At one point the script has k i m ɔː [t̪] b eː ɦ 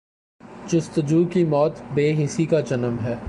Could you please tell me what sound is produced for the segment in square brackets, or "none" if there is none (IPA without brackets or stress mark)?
t̪